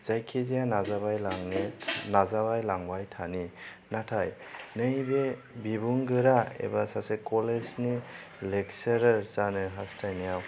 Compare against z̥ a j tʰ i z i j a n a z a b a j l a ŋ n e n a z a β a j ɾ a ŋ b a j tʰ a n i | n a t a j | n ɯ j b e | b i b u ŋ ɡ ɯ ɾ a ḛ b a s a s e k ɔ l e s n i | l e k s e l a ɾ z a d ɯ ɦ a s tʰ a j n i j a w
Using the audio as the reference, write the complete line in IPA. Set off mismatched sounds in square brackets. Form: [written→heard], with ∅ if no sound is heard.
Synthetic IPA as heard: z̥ a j [tʰ→kʰ] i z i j a n a z a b a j l a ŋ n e n a z a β a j [ɾ→l] a ŋ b a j tʰ a n i | n a [t→tʰ] a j | n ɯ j b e | b i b u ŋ ɡ ɯ ɾ a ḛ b a s a s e k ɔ l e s n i | l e k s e [l→ɾ] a ɾ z a [d→n] ɯ ɦ a s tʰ a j n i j a w